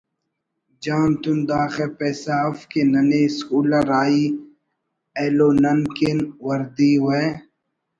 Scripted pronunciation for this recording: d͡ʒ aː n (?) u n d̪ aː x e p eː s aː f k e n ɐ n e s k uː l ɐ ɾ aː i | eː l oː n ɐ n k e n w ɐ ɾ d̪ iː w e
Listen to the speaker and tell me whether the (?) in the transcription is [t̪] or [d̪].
t̪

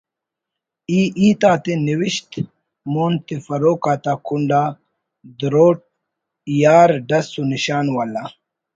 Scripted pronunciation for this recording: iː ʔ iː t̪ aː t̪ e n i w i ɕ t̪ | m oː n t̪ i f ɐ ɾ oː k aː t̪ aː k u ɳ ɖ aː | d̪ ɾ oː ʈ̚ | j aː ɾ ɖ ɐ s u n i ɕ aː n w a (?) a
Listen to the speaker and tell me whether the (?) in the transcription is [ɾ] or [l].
l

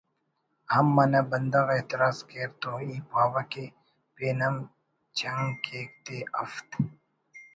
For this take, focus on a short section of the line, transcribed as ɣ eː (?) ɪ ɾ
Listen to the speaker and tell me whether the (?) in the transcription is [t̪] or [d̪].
t̪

